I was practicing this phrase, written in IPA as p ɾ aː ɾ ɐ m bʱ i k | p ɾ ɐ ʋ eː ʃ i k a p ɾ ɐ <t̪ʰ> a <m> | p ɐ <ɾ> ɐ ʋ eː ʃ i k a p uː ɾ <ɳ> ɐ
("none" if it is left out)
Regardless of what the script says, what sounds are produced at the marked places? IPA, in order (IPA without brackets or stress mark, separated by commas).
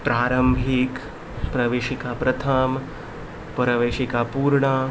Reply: t̪ʰ, m, ɾ, ɳ